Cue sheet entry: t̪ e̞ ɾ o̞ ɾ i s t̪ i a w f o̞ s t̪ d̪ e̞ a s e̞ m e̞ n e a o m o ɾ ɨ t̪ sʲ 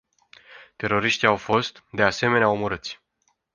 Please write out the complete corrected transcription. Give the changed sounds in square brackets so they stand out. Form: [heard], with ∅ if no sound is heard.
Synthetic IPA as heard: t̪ e̞ ɾ o̞ ɾ i [ʃ] t̪ i a w f o̞ s t̪ d̪ e̞ a s e̞ m e̞ n e a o m o ɾ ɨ t̪ sʲ